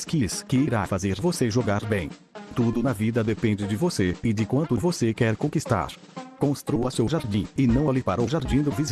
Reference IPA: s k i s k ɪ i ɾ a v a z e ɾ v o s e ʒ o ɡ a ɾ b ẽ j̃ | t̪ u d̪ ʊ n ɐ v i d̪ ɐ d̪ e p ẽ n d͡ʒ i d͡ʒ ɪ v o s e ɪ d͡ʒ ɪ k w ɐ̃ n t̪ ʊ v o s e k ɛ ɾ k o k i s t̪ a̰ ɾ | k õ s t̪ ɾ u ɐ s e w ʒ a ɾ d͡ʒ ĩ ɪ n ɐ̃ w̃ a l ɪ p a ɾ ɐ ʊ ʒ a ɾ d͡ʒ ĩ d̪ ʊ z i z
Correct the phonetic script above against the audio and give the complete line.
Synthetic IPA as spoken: s k i s k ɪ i ɾ a f a z e ɾ v o s e ʒ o ɡ a ɾ b ẽ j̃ | t̪ u d̪ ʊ n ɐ v i d̪ ɐ d̪ e p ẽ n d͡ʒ ɪ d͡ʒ ɪ v o s e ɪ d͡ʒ ɪ k w ɐ̃ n t̪ ʊ v o s e k ɛ ɾ k õ k i s t̪ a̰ ɾ | k õ s t̪ ɾ u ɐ s e w ʒ a ɾ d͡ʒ ĩ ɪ n ɐ̃ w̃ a l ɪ p a ɾ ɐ ʊ ʒ a ɾ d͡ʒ ĩ d̪ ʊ v i z